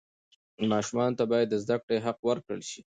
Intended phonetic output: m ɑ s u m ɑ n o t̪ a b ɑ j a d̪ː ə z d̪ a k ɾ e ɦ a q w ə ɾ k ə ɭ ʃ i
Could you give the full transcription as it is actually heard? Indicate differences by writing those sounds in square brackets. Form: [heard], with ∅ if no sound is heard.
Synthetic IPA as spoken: m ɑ [ʃ] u m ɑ n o t̪ a b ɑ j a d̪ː ə z d̪ a k [ɽ] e ɦ a q w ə ɾ k ə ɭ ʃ i

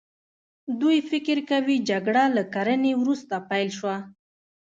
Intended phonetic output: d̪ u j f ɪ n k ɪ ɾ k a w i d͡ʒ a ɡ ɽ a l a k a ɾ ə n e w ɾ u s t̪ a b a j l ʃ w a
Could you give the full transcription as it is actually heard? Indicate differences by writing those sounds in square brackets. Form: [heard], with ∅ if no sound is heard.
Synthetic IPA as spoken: d̪ u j f ɪ [∅] k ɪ ɾ k a w i d͡ʒ a ɡ ɽ a l a k a ɾ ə n e w ɾ u s t̪ a [p] a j l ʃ w a

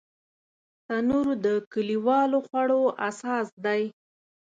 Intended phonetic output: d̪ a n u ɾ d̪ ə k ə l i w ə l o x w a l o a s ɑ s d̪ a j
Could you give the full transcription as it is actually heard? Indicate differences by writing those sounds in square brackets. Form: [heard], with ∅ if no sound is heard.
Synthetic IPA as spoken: [t̪] a n u ɾ d̪ ə k ə l i w [ɑ] l o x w a [ɽ] o a s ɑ s d̪ a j

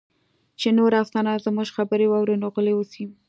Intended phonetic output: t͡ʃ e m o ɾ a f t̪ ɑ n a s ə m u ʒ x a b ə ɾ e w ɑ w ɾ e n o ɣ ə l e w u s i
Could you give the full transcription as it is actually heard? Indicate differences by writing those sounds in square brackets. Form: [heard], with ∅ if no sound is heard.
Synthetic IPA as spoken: t͡ʃ e [n] o ɾ a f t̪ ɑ n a [z] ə m u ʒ x a b ə ɾ e w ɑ w ɾ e n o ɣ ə l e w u s i

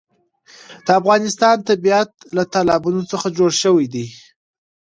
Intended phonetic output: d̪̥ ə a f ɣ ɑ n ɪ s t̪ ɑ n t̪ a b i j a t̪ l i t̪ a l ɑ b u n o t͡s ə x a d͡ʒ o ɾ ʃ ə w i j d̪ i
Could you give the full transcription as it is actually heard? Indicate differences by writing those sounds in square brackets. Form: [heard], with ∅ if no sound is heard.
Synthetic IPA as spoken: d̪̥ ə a f ɣ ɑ n ɪ s t̪ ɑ n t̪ a b i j a t̪ l [a] t̪ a l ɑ b u n o t͡s ə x a d͡ʒ o [ɽ] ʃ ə w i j d̪ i

